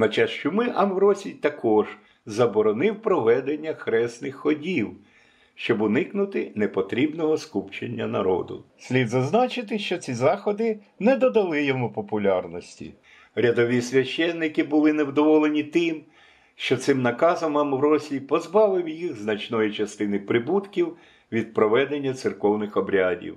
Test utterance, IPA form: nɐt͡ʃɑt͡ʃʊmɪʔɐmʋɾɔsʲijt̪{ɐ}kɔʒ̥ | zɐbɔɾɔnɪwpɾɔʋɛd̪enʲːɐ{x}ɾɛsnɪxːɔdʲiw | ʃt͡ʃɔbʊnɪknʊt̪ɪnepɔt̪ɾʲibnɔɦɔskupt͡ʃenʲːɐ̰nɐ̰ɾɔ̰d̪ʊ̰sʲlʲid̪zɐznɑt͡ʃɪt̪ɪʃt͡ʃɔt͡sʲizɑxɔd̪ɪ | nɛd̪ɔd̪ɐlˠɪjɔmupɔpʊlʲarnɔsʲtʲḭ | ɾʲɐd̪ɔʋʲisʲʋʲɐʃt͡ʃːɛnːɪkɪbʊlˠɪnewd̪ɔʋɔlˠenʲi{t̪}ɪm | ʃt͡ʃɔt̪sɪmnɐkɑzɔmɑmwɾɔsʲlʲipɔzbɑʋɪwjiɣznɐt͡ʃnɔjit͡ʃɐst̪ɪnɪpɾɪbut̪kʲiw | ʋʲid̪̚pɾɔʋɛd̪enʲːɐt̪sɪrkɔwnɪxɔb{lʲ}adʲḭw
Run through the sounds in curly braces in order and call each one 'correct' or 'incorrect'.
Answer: correct, correct, correct, incorrect

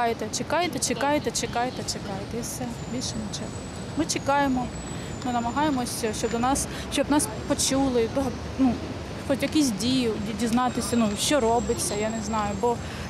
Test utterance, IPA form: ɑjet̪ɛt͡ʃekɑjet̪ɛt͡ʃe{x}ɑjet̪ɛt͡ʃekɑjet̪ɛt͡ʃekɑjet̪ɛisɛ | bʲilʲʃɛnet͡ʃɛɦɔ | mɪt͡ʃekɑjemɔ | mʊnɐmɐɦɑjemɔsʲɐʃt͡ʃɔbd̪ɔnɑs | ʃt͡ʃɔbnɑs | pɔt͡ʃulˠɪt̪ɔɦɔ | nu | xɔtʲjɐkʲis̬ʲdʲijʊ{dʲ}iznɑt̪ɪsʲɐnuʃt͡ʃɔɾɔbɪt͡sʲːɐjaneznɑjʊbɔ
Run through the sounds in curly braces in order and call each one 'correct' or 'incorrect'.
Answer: incorrect, correct

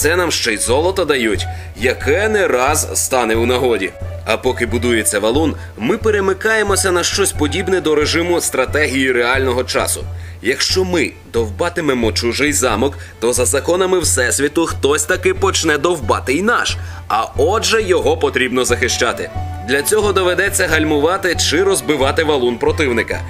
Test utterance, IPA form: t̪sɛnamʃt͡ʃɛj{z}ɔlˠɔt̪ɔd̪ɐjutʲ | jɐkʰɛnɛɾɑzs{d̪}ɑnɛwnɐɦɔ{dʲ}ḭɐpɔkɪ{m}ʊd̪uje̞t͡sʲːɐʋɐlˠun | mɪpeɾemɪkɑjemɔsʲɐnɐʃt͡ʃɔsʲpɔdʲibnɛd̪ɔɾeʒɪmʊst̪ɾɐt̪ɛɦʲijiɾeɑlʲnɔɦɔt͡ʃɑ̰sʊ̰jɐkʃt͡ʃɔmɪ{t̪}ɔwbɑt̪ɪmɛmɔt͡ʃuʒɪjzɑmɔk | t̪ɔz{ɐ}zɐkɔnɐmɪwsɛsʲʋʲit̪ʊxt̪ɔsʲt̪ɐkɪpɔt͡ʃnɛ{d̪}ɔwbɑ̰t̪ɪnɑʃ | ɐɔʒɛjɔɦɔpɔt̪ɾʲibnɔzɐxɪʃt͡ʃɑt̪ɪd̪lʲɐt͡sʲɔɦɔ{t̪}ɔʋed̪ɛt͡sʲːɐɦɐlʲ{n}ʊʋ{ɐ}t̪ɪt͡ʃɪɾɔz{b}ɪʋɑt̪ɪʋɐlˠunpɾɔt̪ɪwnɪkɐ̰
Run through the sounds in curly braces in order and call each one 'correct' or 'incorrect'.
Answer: correct, incorrect, correct, incorrect, incorrect, correct, correct, incorrect, incorrect, incorrect, correct

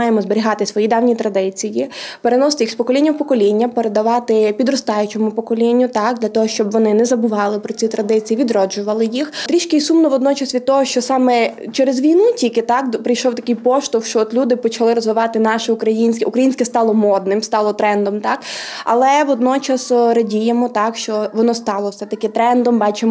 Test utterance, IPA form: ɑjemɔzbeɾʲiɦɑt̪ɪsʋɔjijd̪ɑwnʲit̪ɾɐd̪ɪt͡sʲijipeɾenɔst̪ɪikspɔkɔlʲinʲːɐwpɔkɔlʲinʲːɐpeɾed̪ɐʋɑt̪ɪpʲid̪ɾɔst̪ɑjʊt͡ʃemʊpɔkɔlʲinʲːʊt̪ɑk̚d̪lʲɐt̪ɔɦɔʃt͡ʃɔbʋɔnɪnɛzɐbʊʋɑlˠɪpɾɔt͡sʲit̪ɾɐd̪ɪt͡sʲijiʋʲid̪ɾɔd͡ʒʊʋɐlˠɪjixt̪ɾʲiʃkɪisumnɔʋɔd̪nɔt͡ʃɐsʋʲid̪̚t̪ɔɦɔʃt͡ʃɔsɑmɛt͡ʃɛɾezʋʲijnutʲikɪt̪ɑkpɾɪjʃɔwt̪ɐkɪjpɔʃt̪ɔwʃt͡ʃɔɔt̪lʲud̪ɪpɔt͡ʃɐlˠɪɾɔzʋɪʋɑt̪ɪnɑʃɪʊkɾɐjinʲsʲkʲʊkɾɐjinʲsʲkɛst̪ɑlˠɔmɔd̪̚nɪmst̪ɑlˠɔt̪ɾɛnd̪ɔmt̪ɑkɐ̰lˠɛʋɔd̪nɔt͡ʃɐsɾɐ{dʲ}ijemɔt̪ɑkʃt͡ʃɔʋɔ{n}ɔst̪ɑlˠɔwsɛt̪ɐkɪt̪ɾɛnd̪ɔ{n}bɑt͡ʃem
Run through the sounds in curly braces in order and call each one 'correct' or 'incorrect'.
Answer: correct, correct, incorrect

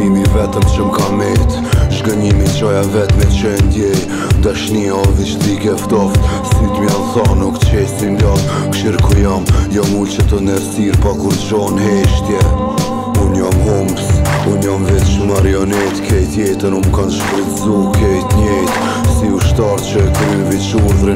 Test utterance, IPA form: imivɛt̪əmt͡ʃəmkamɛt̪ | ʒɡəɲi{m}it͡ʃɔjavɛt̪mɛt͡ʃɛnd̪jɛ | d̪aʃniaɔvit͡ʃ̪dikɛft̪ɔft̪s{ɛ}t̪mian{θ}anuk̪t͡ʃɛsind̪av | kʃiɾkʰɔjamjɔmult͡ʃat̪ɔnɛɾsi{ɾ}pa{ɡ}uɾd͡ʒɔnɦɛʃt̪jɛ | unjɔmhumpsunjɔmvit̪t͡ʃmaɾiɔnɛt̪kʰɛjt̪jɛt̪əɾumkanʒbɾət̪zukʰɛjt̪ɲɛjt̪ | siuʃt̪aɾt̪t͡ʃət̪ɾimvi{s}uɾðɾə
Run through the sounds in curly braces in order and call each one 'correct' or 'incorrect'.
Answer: correct, incorrect, correct, correct, incorrect, incorrect

